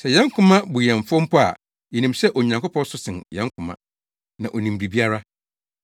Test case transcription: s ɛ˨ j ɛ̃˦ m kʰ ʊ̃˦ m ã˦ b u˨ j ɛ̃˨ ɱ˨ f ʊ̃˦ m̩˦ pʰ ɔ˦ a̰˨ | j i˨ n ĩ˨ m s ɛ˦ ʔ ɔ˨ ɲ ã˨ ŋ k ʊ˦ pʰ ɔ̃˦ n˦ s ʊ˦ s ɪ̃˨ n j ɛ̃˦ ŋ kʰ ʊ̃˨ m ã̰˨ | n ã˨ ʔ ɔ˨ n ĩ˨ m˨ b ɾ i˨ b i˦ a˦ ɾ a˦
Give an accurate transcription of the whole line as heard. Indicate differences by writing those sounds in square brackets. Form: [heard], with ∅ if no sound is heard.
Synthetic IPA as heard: s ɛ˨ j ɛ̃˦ [ŋ] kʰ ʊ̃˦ m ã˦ b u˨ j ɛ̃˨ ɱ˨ f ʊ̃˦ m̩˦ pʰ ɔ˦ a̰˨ | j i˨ n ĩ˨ m s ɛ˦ ʔ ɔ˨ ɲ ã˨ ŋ k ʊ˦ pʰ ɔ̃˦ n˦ s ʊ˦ s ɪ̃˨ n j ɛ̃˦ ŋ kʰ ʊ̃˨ m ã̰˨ | n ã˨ ʔ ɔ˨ n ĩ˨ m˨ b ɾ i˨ b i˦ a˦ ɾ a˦